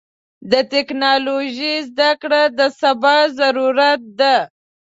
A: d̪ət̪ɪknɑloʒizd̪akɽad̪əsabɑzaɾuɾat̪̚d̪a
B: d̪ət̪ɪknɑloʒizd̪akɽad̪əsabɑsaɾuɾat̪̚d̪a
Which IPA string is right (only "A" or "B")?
A